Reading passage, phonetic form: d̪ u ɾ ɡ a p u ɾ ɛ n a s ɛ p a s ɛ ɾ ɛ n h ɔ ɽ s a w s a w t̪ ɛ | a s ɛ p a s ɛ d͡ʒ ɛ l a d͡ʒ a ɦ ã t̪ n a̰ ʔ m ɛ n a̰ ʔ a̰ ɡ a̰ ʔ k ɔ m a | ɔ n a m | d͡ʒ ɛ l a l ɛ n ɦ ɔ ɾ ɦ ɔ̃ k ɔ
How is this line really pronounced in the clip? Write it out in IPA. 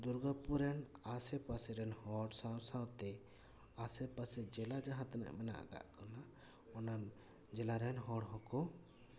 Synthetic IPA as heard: d̪ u ɾ ɡ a p u ɾ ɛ n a s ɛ p a s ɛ ɾ ɛ n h ɔ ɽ s a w s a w t̪ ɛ | a s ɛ p a s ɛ d͡ʒ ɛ l a d͡ʒ a ɦ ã t̪ n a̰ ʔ m ɛ n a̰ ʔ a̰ ɡ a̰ ʔ k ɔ n a | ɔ n a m | d͡ʒ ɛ l a ɾ ɛ n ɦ ɔ ɽ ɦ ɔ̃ k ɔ